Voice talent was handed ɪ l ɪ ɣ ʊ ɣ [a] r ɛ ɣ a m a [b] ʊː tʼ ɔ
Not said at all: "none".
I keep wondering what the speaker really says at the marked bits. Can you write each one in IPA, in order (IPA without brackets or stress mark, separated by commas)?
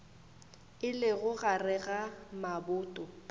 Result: a, b